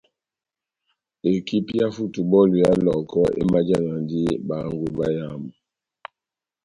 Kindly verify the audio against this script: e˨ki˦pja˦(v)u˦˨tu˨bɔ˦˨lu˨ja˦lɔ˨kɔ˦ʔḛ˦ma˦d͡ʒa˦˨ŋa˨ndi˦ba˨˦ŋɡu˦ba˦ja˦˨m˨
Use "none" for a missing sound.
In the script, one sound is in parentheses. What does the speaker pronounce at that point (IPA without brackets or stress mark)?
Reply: f